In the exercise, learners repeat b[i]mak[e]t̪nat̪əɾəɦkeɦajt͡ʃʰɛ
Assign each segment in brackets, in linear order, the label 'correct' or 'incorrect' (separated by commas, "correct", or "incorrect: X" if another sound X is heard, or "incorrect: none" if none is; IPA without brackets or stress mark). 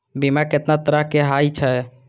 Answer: correct, correct